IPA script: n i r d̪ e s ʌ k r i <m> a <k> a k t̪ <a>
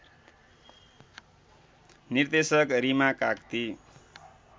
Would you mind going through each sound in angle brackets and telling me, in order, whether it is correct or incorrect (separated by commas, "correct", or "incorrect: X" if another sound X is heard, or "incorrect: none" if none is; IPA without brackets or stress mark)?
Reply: correct, correct, incorrect: i